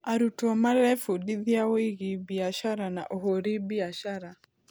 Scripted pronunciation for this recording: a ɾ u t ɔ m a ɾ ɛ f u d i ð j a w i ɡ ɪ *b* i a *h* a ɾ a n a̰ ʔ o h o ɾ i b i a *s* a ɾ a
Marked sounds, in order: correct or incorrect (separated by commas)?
correct, incorrect, incorrect